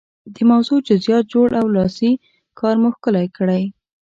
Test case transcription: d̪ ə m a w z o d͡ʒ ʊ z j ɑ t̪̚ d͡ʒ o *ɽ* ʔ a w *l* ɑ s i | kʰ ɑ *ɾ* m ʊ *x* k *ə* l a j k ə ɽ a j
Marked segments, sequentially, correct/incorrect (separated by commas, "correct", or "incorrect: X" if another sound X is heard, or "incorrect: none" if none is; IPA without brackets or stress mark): correct, correct, correct, correct, correct